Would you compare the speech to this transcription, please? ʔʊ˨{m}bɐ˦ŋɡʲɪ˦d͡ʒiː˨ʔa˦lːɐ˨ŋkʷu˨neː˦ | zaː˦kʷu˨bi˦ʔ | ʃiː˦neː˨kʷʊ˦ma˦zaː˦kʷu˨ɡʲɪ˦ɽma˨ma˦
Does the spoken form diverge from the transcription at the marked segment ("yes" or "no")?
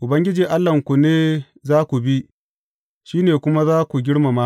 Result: yes